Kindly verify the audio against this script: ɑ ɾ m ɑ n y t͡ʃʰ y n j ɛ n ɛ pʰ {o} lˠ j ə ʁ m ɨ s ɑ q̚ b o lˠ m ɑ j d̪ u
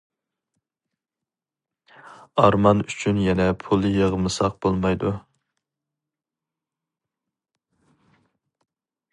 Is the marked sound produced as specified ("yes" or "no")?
no